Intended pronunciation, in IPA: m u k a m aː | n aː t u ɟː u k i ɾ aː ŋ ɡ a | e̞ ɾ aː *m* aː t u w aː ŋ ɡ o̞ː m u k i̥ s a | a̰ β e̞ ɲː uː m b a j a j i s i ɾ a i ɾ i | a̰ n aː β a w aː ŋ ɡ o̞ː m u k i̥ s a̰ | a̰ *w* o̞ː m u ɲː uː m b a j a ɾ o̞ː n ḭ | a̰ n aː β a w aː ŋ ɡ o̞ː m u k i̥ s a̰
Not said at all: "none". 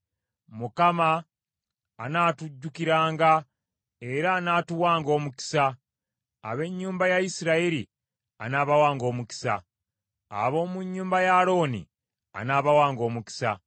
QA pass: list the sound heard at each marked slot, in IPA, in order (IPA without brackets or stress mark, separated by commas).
n, β